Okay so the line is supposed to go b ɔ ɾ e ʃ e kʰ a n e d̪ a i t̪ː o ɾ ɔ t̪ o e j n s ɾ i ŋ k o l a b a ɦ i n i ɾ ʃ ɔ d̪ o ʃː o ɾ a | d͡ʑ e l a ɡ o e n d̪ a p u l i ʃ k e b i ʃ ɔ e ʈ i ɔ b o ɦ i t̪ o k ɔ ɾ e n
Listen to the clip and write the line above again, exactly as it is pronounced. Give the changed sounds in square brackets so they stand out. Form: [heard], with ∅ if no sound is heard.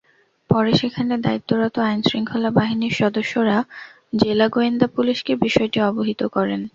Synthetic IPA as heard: [p] ɔ ɾ e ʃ e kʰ a n e d̪ a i t̪ː o ɾ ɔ t̪ o [a] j n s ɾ i ŋ [kʰ] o l a b a ɦ i n i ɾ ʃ ɔ d̪ o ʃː o ɾ a | d͡ʑ e l a ɡ o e n d̪ a p u l i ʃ k e b i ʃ ɔ e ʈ i ɔ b o ɦ i t̪ o k ɔ ɾ e n

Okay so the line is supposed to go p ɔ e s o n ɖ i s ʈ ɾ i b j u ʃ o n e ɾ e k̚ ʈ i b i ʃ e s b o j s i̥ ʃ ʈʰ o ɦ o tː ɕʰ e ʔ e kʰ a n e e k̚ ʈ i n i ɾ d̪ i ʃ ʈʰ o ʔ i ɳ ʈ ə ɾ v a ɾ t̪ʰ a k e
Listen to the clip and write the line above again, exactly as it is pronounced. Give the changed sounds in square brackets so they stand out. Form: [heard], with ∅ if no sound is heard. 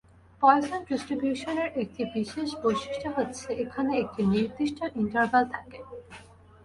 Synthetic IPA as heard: p ɔ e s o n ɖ i s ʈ ɾ i b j u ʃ o n e ɾ e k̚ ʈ i b i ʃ e [ʃ] b o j [ʃ] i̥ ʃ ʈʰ o ɦ o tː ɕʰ e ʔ e kʰ a n e e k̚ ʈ i n i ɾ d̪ i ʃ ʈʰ o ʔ i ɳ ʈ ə ɾ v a [l] t̪ʰ a k e

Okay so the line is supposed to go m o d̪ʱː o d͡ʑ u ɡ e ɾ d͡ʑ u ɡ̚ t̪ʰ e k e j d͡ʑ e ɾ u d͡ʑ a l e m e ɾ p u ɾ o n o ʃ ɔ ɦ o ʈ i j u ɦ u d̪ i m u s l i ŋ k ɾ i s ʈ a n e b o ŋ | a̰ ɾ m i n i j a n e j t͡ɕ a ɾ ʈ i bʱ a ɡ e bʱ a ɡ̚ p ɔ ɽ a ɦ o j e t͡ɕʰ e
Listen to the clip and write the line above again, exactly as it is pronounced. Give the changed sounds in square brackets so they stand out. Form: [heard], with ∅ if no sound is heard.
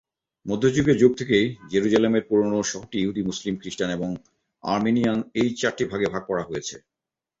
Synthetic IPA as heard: m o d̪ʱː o d͡ʑ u ɡ e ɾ d͡ʑ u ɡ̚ t̪ʰ e k e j d͡ʑ e ɾ u d͡ʑ a l e m e ɾ p u ɾ o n o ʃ ɔ ɦ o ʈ i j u ɦ u d̪ i m u s l i [m] k ɾ i [ʃ] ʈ a n e b o ŋ | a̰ ɾ m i n i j a n e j t͡ɕ a ɾ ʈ i bʱ a ɡ e bʱ a ɡ̚ p ɔ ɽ a ɦ o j e t͡ɕʰ e

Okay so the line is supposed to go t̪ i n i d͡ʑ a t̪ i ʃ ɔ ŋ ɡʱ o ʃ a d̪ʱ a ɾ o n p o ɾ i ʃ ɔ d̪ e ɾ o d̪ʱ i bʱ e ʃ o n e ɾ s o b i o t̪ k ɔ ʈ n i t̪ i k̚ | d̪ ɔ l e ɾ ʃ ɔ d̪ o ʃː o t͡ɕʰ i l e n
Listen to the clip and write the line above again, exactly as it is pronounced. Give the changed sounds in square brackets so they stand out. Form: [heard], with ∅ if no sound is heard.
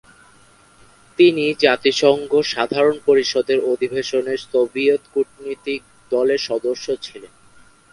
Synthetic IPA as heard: t̪ i n i d͡ʑ a t̪ i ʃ ɔ ŋ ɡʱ o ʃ a d̪ʱ a ɾ o n p o ɾ i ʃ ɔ d̪ e ɾ o d̪ʱ i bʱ e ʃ o n e ɾ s o b i o t̪ k [u] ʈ n i t̪ i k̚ | d̪ ɔ l e ɾ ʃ ɔ d̪ o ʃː o t͡ɕʰ i l e n

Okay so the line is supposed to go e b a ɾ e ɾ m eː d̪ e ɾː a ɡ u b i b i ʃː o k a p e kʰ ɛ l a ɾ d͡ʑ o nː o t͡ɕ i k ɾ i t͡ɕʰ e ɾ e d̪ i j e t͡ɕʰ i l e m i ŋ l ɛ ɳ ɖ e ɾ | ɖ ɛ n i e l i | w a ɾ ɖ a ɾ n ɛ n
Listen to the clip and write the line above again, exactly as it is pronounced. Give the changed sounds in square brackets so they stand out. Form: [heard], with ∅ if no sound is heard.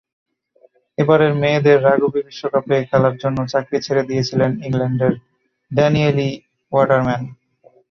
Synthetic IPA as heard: e b a ɾ e ɾ m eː d̪ e ɾː a ɡ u b i b i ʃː o k a p e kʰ ɛ l a ɾ d͡ʑ o nː o t͡ɕ [a] k ɾ i t͡ɕʰ e ɾ e d̪ i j e t͡ɕʰ i l e [n] i ŋ l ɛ ɳ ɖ e ɾ | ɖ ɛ n i e l i | w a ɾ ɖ a ɾ [m] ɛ n

